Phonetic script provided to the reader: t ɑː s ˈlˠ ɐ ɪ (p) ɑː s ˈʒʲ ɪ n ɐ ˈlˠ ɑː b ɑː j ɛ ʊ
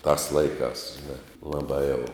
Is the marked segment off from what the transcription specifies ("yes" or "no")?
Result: yes